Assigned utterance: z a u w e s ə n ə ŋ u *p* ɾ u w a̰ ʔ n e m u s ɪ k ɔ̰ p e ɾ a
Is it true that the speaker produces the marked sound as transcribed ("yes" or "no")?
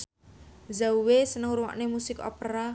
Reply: no